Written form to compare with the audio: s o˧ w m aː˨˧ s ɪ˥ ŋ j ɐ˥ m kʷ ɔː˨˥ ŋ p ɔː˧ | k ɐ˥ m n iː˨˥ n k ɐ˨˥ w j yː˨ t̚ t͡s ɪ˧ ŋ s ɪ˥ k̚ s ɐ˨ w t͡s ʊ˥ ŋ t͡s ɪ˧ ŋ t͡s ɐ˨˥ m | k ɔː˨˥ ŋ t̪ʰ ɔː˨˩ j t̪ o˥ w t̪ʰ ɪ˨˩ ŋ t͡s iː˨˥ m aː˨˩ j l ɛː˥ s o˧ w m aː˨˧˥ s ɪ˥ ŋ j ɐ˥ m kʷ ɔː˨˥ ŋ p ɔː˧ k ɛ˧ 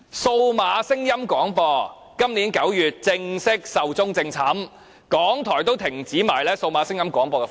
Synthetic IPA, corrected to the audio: s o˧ w m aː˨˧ s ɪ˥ ŋ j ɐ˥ m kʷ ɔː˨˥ ŋ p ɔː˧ | k ɐ˥ m n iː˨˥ n k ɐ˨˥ w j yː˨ t̚ t͡s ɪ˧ ŋ s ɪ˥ k̚ s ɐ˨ w t͡s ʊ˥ ŋ t͡s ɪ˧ ŋ t͡sʰ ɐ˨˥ m | k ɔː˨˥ ŋ t̪ʰ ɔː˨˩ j t̪ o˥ w t̪ʰ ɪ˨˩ ŋ t͡s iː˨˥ m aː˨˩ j l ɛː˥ s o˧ w m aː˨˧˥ s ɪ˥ ŋ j ɐ˥ m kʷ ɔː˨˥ ŋ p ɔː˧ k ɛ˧